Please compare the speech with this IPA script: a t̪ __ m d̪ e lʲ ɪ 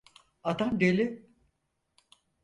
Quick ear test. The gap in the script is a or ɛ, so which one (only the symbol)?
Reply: a